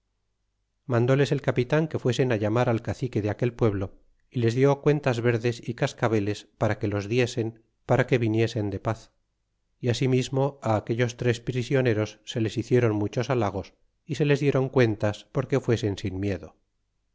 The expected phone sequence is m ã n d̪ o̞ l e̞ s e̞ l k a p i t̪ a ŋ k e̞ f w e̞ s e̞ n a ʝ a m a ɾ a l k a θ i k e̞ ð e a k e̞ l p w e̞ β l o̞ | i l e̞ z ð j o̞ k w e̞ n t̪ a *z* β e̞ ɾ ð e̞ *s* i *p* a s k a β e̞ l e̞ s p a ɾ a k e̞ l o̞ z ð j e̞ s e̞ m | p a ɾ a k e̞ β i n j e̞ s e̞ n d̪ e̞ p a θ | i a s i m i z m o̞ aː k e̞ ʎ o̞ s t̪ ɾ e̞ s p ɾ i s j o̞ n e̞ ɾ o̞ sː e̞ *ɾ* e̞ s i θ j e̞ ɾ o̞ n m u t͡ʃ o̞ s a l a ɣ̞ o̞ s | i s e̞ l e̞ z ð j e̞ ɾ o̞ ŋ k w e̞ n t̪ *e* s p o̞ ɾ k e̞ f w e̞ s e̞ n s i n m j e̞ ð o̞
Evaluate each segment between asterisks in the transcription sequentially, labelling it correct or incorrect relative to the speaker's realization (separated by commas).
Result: correct, correct, incorrect, incorrect, incorrect